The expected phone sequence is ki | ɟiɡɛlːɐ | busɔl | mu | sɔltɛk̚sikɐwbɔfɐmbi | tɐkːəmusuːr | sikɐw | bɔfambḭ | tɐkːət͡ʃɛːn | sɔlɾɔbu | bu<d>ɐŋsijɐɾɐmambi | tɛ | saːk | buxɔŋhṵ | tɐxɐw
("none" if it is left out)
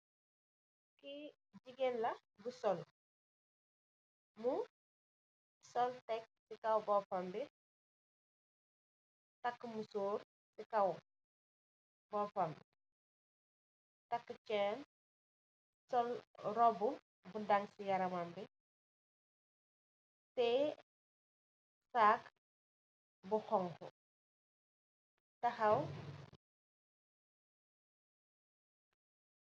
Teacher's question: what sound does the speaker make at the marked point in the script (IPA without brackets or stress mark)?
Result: d